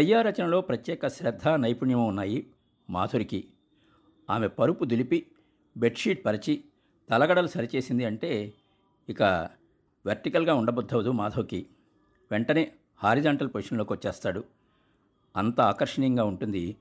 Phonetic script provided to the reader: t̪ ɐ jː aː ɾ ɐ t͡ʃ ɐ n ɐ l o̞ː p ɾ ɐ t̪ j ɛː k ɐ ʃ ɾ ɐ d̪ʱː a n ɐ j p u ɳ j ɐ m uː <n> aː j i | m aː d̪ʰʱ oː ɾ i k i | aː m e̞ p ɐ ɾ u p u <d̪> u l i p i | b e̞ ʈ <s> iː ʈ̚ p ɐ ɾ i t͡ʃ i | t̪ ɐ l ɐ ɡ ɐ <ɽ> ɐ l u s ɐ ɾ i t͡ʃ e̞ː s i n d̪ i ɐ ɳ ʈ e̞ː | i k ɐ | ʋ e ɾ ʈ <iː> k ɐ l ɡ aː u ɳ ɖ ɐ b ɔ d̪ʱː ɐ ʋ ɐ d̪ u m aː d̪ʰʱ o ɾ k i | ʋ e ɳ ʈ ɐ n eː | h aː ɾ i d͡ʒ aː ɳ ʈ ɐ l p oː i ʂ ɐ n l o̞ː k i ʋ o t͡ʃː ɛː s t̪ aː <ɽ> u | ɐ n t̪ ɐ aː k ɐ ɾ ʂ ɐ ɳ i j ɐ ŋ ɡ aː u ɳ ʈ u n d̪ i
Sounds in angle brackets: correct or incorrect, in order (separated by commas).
incorrect, correct, incorrect, correct, incorrect, correct